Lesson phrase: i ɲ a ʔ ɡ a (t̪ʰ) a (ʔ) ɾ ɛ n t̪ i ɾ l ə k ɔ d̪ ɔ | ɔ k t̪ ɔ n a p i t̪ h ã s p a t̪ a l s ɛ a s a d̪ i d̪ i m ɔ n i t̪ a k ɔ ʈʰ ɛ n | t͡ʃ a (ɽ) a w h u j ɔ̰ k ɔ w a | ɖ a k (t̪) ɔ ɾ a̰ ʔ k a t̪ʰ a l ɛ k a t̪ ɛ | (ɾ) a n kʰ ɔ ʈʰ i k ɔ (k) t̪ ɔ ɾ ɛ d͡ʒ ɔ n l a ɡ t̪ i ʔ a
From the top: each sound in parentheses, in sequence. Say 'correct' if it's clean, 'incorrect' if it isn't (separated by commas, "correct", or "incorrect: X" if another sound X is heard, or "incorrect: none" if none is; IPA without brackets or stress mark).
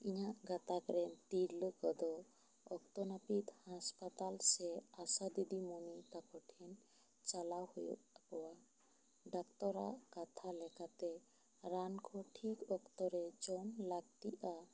incorrect: t̪, incorrect: k, incorrect: l, correct, correct, correct